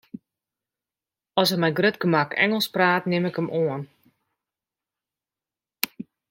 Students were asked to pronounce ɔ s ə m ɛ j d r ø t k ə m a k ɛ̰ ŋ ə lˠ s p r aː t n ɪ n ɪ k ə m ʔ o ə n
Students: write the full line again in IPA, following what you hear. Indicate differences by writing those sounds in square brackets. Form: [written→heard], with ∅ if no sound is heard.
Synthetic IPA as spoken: ɔ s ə m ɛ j [d→ɡ] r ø t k ə m a k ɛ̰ ŋ ə lˠ s p r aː t n ɪ [n→m] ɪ k ə m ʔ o ə n